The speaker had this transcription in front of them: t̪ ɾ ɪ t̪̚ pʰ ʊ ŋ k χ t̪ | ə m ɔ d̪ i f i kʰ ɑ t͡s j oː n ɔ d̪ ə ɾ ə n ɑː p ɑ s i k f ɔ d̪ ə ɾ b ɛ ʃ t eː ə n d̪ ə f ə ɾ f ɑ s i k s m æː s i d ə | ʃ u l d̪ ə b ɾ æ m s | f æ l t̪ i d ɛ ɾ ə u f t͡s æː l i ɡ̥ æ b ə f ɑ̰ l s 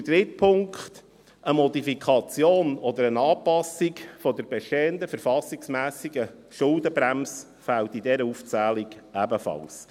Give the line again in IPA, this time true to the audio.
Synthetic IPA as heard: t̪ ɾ ɪ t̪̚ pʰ ʊ ŋ k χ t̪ | ə m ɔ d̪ i f i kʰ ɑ t͡s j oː n ɔ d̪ ə ɾ ə n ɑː p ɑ s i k f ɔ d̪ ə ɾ b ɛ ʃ t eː ə n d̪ ə f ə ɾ f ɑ s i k s m æː s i ɡ ə | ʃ ʊ l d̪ ə b ɾ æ m s | f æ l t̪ i d ɛ ɾ ə u f t͡s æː l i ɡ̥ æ b ə f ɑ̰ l s